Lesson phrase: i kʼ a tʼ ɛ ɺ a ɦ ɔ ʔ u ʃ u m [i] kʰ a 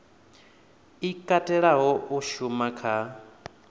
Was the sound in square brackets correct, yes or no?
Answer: no